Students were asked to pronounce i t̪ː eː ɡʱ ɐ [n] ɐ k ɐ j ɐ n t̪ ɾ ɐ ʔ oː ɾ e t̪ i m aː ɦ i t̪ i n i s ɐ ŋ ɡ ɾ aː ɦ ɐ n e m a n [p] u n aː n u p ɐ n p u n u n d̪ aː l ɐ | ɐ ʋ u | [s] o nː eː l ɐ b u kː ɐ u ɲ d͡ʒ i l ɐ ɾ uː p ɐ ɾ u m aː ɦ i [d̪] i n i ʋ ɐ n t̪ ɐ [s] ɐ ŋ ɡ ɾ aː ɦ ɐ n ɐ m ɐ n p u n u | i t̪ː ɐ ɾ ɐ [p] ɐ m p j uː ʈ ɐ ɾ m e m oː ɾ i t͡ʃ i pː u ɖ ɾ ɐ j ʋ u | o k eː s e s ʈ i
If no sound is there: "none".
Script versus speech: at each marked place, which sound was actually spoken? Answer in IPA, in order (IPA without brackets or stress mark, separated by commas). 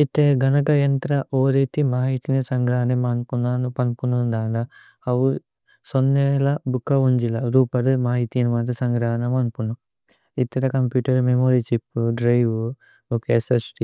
n, p, s, t̪, s, k